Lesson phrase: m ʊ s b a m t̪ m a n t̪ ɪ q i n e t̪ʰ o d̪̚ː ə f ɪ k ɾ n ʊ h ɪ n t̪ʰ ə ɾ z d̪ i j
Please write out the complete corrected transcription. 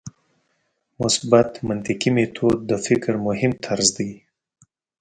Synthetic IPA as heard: m ʊ s b a t̪ m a n t̪ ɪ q i m e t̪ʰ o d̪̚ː ə f ɪ k ɾ m ʊ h ɪ m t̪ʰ a ɾ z d̪ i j